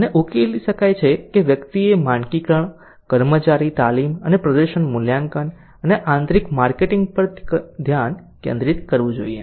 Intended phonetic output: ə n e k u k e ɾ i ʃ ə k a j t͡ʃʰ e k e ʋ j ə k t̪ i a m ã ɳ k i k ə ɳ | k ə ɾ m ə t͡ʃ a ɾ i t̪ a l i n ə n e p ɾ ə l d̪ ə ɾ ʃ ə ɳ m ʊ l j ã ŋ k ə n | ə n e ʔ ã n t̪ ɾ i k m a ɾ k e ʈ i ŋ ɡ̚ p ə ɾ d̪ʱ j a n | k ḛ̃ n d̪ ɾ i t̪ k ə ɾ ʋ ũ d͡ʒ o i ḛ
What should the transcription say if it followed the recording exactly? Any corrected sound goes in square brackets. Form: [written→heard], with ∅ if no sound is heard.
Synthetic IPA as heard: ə n e [k→ʔ] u k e [ɾ→l] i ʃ ə k a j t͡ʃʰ e k e ʋ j ə k t̪ i [a→e] m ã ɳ k i k ə ɳ | k ə ɾ m ə t͡ʃ a ɾ i t̪ a l i [n→m] ə n e p ɾ ə [l→∅] d̪ ə ɾ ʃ ə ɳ m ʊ l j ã ŋ k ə n | ə n e ʔ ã n t̪ ɾ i k m a ɾ k e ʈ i ŋ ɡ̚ p ə ɾ d̪ʱ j a n | k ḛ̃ n d̪ ɾ i t̪ k ə ɾ ʋ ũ d͡ʒ o i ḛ